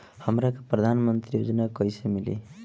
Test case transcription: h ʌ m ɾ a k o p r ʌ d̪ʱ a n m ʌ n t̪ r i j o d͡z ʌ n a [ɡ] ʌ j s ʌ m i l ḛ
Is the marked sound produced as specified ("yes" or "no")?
no